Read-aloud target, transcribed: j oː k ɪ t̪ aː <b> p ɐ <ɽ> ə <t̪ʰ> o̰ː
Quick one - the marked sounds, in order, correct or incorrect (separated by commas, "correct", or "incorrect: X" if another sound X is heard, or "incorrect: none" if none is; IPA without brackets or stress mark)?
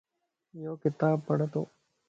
correct, correct, incorrect: t̪